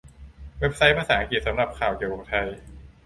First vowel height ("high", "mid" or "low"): mid